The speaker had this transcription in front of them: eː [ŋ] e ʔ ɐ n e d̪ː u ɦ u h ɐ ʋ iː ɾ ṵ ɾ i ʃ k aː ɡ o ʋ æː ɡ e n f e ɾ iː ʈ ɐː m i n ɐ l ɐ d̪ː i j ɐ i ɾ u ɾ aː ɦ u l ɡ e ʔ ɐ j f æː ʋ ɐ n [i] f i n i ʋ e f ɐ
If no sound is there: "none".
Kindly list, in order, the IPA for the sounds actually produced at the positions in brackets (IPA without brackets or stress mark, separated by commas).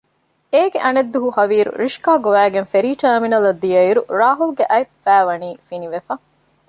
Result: ɡ, iː